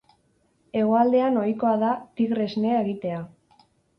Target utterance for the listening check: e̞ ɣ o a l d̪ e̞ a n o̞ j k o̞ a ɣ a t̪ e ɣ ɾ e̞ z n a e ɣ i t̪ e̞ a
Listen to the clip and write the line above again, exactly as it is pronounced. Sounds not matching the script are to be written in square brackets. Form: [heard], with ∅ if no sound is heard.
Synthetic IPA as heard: e̞ ɣ o a l d̪ e̞ a n o̞ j k o̞ a [ð] a t̪ [i] ɣ ɾ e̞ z n [e] e ɣ i t̪ e̞ a

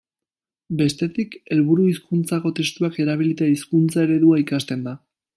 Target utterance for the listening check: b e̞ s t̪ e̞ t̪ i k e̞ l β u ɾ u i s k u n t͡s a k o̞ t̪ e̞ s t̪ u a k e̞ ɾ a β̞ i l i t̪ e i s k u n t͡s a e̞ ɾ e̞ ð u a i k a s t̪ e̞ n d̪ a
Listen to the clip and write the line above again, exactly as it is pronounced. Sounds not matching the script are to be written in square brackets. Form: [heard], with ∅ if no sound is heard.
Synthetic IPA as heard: b e̞ s t̪ e̞ t̪ i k e̞ l β u ɾ u i s k u n t͡s a k o̞ t̪ e̞ s t̪ u a k e̞ ɾ a β̞ i l i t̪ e i s k u n t͡s a e̞ ɾ e̞ ð u a i k a s t̪ e̞ n d̪ a

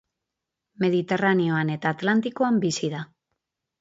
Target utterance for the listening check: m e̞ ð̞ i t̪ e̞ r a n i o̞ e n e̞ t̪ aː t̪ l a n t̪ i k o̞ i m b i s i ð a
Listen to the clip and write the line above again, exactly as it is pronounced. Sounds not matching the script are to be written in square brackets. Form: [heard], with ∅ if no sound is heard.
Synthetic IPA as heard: m e̞ ð̞ i t̪ e̞ r a n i o̞ [a] n e̞ t̪ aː t̪ l a n t̪ i k o̞ [a] m b i s i ð a

